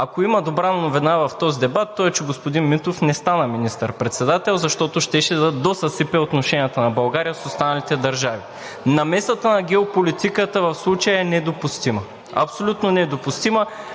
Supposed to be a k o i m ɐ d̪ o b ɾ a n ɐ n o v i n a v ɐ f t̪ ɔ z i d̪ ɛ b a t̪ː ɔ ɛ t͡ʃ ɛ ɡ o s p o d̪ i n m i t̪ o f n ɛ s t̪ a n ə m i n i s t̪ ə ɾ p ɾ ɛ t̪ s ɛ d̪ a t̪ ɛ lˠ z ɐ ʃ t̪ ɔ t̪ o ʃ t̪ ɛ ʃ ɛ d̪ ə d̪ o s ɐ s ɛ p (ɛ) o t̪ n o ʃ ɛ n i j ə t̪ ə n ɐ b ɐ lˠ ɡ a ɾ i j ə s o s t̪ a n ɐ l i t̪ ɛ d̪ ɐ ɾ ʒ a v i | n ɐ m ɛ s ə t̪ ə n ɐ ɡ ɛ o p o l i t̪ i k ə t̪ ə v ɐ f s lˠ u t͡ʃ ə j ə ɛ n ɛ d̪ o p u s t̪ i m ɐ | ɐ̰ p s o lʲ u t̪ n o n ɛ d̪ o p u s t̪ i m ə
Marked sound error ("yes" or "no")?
no